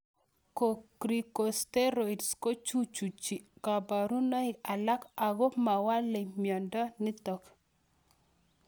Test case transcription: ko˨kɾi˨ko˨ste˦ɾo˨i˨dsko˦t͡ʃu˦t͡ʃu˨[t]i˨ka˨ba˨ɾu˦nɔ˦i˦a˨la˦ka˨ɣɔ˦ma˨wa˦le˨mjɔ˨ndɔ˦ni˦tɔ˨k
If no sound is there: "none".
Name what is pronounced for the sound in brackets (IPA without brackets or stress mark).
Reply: t͡ʃ